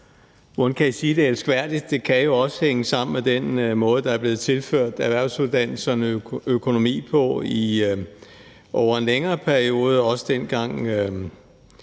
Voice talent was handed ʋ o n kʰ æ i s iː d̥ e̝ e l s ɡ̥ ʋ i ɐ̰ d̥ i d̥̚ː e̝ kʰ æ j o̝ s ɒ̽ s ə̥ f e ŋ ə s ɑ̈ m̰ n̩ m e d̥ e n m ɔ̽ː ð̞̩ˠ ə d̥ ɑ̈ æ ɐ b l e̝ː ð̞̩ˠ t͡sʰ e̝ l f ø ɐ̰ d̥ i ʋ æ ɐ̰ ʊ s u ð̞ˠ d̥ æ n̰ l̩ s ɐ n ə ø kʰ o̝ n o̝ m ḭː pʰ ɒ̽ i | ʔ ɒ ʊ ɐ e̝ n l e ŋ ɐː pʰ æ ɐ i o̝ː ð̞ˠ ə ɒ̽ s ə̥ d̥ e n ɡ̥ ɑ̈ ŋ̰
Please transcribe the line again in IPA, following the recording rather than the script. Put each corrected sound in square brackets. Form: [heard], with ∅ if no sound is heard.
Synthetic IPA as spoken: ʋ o n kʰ æ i s iː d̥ e̝ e l s ɡ̥ ʋ [æ] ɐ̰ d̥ i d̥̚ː e̝ kʰ æ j o̝ [∅] ɒ̽ s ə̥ [h] e ŋ ə s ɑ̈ m̰ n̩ m e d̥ e n m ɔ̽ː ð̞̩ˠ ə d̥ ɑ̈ æ ɐ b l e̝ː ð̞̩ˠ t͡sʰ e̝ l f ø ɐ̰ d̥ [æ] ʋ æ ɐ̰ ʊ s u ð̞ˠ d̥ æ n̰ l̩ s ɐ n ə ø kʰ o̝ n o̝ m ḭː pʰ ɒ̽ i | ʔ ɒ ʊ ɐ e̝ n l e ŋ ɐː pʰ æ ɐ i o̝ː ð̞ˠ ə ɒ̽ s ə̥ d̥ e n ɡ̥ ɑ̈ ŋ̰